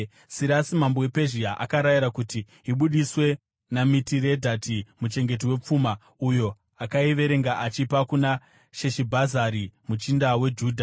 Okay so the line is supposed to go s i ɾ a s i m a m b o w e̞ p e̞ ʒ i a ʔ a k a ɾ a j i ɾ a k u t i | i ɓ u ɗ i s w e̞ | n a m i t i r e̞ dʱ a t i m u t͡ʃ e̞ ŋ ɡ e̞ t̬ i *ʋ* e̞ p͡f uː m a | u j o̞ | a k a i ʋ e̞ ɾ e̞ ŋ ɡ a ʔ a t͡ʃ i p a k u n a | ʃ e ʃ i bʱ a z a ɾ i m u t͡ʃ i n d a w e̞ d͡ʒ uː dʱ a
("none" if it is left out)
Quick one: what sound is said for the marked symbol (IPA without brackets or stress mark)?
w